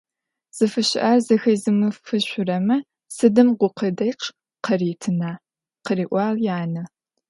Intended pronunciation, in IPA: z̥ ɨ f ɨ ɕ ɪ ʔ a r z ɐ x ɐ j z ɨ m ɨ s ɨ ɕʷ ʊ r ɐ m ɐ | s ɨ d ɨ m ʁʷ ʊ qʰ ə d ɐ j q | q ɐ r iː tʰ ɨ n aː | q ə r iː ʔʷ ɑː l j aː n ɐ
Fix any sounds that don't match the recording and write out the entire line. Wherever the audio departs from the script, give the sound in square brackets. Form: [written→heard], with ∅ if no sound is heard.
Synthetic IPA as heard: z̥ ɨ f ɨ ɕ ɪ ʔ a r z ɐ x ɐ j z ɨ m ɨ [s→f] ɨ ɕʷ ʊ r ɐ m ɐ | s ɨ d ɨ m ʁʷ ʊ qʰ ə d ɐ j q | q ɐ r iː tʰ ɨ n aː | q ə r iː ʔʷ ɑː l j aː n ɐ